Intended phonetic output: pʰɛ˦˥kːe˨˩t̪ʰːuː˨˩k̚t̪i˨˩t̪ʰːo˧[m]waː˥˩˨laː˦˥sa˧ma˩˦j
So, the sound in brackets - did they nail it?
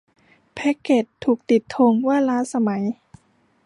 no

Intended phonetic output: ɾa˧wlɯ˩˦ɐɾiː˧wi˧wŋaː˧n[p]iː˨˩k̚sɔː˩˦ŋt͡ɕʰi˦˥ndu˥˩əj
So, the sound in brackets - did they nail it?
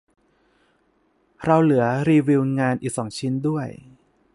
no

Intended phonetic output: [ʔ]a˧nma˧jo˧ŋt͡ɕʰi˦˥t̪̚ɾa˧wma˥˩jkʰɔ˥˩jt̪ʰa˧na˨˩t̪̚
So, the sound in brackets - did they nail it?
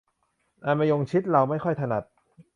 yes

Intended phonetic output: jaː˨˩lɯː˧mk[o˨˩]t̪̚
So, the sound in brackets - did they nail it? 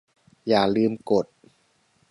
yes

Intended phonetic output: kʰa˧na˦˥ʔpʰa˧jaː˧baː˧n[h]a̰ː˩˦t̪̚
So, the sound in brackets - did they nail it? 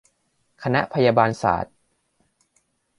no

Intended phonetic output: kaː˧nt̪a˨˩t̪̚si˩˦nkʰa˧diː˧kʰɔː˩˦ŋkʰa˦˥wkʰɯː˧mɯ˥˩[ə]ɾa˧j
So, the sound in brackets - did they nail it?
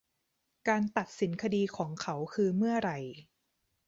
no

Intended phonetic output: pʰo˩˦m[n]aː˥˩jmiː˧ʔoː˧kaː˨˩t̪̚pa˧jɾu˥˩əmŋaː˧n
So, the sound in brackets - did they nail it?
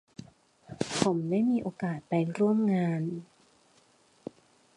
no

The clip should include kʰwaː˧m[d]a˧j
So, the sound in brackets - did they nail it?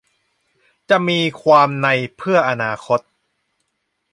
no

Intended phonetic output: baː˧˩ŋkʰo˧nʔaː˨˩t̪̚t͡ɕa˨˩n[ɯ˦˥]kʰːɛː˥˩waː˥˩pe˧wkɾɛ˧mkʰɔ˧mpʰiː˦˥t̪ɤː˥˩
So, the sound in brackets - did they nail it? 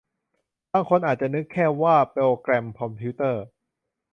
yes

